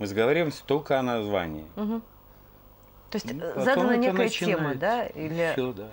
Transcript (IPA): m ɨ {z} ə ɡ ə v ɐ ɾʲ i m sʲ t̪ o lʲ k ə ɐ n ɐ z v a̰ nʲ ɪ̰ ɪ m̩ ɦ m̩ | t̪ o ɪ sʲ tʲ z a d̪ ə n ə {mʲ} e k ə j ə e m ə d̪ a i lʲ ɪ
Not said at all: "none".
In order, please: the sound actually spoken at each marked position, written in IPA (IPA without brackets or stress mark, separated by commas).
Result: z, nʲ